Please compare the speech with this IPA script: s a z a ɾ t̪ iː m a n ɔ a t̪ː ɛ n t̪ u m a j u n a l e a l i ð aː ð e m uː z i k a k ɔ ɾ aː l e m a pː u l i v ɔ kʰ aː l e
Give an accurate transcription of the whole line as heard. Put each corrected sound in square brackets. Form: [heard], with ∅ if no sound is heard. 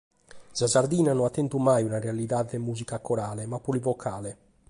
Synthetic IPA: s a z a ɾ [d̪] iː [n] a n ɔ a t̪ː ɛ n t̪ u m a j u n a [r] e a l i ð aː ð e m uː z i k a k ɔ ɾ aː l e m a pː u l i v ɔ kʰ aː l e

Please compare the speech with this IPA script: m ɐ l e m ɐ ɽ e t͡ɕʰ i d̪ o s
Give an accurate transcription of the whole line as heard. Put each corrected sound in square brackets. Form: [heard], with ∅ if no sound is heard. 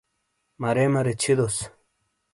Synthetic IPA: m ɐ [ɾ] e m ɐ [ɾ] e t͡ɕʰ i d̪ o s

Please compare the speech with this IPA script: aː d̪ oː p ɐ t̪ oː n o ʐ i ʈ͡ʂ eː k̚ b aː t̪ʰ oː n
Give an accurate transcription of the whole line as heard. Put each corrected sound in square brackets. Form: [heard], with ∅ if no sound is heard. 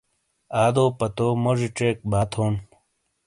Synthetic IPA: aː d̪ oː p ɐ t̪ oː [m] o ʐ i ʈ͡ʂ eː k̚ b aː t̪ʰ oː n

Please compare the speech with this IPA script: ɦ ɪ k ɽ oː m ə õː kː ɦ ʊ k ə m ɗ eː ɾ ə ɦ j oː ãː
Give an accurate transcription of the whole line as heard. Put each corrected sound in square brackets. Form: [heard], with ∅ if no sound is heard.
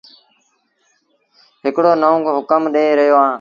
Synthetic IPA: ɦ ɪ k ɽ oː [n] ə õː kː ɦ ʊ k ə m ɗ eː ɾ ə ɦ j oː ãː

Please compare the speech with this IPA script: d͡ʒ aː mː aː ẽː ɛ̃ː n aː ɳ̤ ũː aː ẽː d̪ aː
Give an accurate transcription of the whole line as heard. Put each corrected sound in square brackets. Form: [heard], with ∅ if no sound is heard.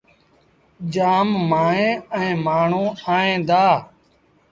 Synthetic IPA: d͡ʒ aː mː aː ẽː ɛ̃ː [m] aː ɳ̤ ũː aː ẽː d̪ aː

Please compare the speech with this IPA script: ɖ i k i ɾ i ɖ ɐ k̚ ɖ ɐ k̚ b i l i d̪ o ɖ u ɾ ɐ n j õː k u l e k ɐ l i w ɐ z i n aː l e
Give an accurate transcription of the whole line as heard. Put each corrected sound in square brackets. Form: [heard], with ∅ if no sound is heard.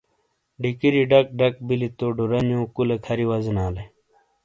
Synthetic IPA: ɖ i k i ɾ i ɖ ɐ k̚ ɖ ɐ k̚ b i l i [t̪] o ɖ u ɾ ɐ n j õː k u l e [kʰ] ɐ [ɾ] i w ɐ z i n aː l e

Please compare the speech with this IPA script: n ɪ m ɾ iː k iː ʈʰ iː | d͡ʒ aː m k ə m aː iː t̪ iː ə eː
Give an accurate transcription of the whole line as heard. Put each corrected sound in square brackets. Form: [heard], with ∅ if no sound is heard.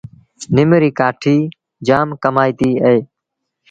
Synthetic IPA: n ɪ m ɾ iː k [aː] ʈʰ iː | d͡ʒ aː m k ə m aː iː t̪ iː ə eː

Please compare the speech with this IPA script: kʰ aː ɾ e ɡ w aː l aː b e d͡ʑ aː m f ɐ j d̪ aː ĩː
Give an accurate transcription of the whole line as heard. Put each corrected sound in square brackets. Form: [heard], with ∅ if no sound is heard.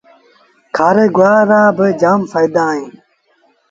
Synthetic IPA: kʰ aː ɾ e ɡ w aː [ɾ] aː b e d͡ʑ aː m f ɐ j d̪ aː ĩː

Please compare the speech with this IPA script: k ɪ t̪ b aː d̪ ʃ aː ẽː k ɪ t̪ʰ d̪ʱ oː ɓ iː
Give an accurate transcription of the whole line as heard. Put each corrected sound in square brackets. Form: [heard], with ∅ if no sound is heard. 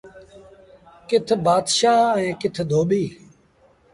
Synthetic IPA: k ɪ [t̪ʰ] b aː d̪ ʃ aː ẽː k ɪ t̪ʰ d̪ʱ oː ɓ iː

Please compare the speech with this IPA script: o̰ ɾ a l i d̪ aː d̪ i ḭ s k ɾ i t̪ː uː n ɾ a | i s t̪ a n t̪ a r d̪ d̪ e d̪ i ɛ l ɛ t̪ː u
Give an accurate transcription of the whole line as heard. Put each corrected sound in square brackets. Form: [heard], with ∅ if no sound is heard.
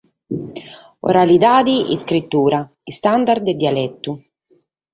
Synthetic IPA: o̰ ɾ a l i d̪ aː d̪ i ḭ s k ɾ i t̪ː uː [∅] ɾ a | i s t̪ a n [d̪] a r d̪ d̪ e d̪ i [a] l ɛ t̪ː u

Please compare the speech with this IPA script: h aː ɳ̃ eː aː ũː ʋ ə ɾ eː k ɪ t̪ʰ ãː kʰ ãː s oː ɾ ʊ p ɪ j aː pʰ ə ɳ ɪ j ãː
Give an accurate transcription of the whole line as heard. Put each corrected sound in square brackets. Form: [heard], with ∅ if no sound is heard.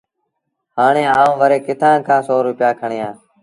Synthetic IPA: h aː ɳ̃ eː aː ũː ʋ ə ɾ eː k ɪ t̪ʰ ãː kʰ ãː s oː ɾ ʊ p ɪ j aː [kʰ] ə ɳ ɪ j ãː

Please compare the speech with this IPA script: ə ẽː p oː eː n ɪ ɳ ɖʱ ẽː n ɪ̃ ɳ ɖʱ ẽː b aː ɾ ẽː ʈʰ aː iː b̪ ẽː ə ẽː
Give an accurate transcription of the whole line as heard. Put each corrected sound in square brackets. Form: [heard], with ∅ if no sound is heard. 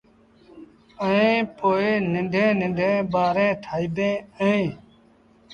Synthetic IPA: ə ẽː p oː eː n ɪ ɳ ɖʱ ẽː n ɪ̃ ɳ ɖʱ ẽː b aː ɾ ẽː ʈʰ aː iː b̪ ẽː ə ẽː

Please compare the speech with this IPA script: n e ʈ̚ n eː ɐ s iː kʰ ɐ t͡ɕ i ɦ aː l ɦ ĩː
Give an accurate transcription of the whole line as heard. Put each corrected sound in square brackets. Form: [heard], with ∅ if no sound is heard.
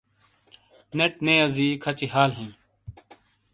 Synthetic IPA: n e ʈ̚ n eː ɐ [z] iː kʰ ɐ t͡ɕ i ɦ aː l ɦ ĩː

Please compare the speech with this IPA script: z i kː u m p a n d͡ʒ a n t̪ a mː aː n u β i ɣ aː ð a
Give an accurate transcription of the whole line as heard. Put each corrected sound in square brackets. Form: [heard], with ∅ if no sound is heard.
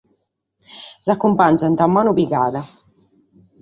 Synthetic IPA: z [a] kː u m p a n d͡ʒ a n t̪ a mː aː n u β i ɣ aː ð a

